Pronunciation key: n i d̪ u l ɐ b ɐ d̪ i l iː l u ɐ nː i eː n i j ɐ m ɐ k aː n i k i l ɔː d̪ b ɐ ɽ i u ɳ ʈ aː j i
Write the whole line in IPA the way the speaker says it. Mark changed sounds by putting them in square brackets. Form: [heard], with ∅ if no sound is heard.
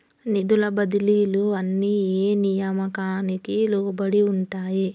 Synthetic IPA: n i d̪ u l ɐ b ɐ d̪ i l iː l u ɐ nː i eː n i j ɐ m ɐ k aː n i k i l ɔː [∅] b ɐ ɽ i u ɳ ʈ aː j i